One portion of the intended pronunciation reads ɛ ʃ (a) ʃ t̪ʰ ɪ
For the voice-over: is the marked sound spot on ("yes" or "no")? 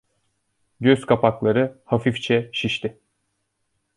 no